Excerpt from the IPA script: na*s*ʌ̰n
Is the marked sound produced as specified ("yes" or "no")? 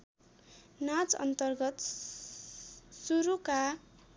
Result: no